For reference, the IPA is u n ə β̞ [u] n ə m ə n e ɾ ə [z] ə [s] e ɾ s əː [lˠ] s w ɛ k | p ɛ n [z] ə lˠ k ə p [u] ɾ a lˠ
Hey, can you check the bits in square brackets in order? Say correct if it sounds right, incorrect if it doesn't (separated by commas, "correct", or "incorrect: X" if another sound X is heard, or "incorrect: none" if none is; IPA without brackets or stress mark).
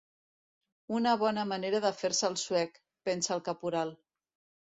incorrect: ɔ, incorrect: ð, incorrect: f, correct, incorrect: s, correct